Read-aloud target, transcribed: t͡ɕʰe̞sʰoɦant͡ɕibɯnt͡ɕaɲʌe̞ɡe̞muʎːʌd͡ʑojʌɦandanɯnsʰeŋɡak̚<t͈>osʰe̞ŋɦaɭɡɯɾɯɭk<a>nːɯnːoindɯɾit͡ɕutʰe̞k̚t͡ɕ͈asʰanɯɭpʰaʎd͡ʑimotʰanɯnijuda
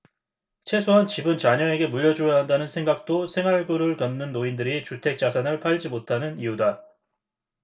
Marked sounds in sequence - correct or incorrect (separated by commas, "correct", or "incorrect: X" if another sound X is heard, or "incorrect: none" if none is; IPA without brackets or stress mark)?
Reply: correct, incorrect: ʌ